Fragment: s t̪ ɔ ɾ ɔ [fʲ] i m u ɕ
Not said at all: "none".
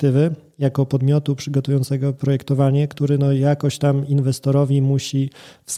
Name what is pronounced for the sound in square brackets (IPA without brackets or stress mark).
vʲ